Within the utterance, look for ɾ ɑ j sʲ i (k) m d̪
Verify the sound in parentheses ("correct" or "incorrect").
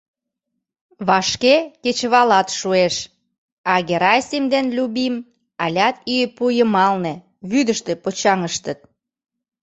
incorrect